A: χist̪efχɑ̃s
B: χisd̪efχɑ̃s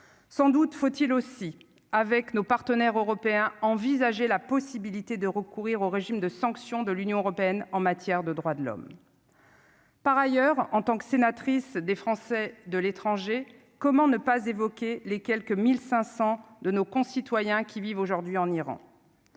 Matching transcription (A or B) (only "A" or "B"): B